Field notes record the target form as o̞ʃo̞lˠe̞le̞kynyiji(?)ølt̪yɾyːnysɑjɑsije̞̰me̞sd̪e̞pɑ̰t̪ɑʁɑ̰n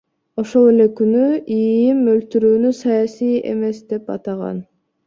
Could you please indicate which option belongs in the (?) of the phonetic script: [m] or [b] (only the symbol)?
m